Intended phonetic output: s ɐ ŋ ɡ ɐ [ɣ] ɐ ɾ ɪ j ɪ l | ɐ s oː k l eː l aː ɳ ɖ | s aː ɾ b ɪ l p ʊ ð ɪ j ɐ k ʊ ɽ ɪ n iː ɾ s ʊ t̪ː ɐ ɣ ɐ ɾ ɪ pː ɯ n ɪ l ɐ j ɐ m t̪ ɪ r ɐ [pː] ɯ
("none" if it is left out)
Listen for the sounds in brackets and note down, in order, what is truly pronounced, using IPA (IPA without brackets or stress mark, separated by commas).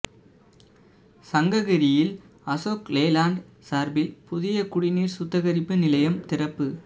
ɣ, pː